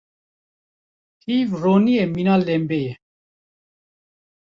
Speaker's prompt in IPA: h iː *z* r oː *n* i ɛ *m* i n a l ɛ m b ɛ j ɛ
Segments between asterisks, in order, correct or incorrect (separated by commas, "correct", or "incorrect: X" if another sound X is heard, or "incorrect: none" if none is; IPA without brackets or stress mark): incorrect: v, correct, correct